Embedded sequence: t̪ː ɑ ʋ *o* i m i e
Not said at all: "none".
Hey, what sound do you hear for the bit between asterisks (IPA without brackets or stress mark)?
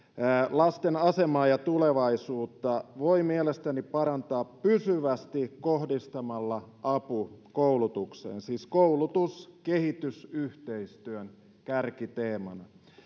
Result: o